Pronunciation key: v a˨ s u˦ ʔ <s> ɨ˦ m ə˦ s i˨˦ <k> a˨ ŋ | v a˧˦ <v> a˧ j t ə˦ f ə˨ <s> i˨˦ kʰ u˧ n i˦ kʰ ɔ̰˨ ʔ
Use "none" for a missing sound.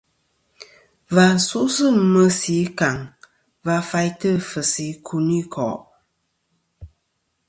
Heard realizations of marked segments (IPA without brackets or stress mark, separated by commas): s, k, f, s